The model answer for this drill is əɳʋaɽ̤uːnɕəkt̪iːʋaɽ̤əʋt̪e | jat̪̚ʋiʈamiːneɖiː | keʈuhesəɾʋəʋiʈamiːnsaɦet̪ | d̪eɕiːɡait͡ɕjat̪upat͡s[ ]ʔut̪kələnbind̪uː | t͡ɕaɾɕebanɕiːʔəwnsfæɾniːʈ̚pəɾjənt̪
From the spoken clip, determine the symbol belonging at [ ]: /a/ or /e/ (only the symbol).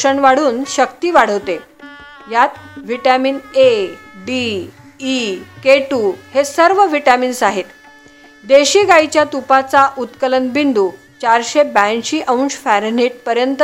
a